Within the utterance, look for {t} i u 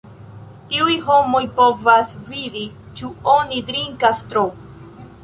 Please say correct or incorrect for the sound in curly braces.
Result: correct